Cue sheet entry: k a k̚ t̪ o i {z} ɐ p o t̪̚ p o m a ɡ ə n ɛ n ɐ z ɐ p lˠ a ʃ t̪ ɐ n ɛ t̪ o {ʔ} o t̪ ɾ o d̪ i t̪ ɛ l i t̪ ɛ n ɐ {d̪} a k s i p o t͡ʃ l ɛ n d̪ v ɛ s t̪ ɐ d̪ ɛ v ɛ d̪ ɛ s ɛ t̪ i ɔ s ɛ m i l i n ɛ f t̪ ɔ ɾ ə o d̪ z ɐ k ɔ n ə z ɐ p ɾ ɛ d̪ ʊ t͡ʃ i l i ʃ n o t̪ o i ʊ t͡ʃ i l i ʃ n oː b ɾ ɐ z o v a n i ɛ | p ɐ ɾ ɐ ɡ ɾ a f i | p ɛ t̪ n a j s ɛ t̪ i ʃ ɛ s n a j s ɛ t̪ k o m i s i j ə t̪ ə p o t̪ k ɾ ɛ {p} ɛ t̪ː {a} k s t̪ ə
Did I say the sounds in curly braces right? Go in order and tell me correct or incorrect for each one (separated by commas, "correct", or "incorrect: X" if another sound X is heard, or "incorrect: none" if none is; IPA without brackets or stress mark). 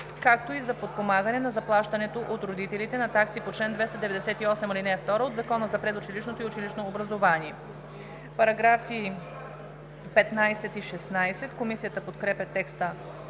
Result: correct, correct, incorrect: t̪, correct, incorrect: ɛ